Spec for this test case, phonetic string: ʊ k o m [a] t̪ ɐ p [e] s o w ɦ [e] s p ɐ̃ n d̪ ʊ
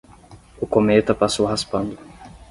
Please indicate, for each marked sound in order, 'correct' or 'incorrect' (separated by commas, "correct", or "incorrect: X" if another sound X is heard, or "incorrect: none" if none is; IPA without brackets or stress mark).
incorrect: e, incorrect: a, incorrect: a